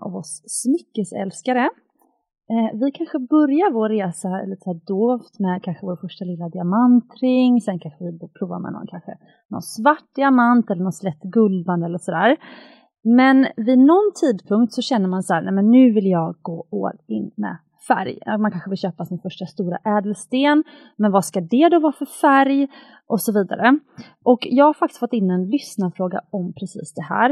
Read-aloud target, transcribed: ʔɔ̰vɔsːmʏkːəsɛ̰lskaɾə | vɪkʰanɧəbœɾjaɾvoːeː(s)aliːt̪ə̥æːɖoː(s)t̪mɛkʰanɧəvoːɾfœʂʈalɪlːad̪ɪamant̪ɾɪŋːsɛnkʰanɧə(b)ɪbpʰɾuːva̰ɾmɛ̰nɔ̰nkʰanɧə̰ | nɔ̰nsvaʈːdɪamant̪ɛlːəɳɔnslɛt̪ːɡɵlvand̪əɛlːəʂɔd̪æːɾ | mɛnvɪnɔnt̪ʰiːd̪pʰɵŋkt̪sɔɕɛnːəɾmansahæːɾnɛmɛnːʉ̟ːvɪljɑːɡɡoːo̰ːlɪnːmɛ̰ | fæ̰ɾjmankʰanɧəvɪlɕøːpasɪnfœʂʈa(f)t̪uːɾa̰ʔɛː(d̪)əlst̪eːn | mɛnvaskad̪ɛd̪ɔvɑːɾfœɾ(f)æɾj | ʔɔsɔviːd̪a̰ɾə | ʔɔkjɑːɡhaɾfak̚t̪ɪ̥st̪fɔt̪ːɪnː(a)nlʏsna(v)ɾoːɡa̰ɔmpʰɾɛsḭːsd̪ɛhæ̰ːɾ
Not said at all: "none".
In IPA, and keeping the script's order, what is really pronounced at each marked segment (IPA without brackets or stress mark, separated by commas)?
s, f, v, s, d̪, f, ɛ, f